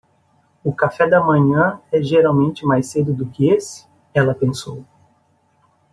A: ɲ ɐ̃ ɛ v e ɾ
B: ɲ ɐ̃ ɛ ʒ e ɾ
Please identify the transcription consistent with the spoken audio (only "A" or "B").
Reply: B